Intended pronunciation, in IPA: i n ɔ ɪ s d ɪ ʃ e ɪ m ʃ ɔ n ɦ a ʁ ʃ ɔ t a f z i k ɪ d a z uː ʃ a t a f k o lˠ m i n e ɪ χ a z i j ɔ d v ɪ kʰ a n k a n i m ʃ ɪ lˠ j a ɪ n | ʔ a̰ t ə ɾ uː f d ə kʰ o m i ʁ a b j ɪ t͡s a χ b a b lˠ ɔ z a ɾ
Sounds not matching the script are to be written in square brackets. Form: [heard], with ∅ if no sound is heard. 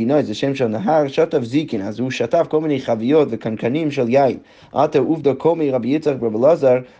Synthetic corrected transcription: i n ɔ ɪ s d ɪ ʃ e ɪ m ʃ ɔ n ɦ a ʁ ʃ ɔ t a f z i k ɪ [n] a z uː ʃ a t a f k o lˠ m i n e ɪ χ a [v] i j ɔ [t] v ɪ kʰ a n k a n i m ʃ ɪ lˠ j a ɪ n | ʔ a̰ t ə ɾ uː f d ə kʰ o m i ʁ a b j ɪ t͡s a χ b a b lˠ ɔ z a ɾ